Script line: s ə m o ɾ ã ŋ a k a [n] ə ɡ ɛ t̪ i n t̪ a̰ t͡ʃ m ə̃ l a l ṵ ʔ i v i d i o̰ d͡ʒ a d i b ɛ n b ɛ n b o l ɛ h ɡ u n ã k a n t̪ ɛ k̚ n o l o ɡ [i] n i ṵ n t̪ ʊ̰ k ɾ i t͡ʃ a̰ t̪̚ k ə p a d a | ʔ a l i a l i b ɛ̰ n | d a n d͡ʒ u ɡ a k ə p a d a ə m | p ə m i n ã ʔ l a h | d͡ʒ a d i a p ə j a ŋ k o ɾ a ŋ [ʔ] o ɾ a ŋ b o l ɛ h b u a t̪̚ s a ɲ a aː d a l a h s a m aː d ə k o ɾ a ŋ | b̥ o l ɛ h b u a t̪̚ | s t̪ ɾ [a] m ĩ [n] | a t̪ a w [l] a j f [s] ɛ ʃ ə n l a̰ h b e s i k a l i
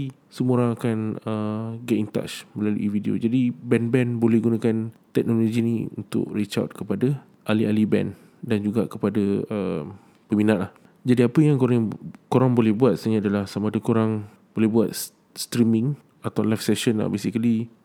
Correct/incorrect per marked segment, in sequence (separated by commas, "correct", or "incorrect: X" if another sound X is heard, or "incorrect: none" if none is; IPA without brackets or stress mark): correct, correct, incorrect: k, incorrect: i, incorrect: ŋ, correct, correct